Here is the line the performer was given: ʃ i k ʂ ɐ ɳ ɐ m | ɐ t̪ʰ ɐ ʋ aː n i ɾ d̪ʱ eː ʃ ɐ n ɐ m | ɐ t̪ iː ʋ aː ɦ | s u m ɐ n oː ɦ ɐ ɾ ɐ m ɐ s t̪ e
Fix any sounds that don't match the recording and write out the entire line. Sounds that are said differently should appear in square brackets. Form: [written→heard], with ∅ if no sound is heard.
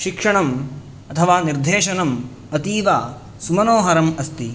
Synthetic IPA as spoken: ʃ i k ʂ ɐ ɳ ɐ m | ɐ t̪ʰ ɐ ʋ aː n i ɾ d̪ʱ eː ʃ ɐ n ɐ m | ɐ t̪ iː ʋ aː [ɦ→∅] | s u m ɐ n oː ɦ ɐ ɾ ɐ m ɐ s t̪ [e→i]

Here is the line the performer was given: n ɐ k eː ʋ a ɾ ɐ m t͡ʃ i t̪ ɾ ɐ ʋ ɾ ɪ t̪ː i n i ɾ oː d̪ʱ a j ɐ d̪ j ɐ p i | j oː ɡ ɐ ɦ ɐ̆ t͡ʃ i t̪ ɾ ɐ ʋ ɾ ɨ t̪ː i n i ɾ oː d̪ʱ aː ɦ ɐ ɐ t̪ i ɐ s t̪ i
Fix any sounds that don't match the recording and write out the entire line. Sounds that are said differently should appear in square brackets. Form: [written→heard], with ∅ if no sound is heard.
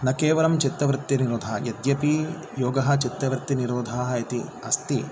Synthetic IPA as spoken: n ɐ k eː ʋ [a→ɐ] ɾ ɐ m t͡ʃ i t̪ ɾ ɐ ʋ ɾ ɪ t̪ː i n i ɾ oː d̪ʱ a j ɐ d̪ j ɐ p i | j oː ɡ ɐ ɦ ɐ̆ t͡ʃ i t̪ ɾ ɐ ʋ ɾ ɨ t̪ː i n i ɾ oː d̪ʱ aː ɦ ɐ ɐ t̪ i ɐ s t̪ i

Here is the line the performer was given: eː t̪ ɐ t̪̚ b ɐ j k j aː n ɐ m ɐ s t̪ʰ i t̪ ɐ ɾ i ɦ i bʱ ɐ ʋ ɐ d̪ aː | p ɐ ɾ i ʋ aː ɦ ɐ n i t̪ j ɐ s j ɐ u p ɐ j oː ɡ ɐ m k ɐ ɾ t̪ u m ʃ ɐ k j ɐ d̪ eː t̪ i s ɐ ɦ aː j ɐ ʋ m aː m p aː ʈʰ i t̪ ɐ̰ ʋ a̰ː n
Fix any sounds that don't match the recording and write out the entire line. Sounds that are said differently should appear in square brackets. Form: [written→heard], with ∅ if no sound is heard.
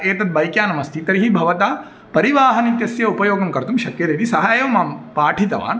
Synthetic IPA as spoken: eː t̪ ɐ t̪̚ b ɐ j k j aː n ɐ m ɐ s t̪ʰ i t̪ ɐ ɾ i ɦ i bʱ ɐ ʋ ɐ [d̪→t̪] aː | p ɐ ɾ i ʋ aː ɦ ɐ n i t̪ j ɐ s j ɐ u p ɐ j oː ɡ ɐ m k ɐ ɾ t̪ u m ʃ ɐ k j ɐ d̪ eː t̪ i s ɐ ɦ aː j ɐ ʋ m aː m p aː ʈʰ i t̪ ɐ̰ ʋ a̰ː n

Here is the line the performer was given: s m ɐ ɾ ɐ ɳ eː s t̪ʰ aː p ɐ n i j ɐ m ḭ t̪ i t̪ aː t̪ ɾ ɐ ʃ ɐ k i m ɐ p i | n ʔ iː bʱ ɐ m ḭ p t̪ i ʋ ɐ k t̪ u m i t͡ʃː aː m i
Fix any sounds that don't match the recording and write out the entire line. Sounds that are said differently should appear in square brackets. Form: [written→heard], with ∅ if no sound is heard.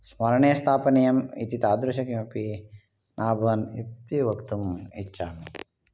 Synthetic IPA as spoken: s m ɐ ɾ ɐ ɳ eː s t̪ʰ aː p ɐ n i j ɐ m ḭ t̪ i t̪ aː [t̪→d̪] ɾ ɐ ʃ ɐ k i m ɐ p i | n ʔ [iː→aː] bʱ ɐ [m→n] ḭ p t̪ i ʋ ɐ k t̪ u m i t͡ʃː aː m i

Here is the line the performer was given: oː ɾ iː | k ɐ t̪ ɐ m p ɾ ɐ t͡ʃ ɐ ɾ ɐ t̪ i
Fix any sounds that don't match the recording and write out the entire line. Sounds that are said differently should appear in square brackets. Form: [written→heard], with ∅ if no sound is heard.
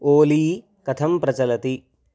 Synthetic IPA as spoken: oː [ɾ→l] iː | k ɐ [t̪→t̪ʰ] ɐ m p ɾ ɐ t͡ʃ ɐ [ɾ→l] ɐ t̪ i

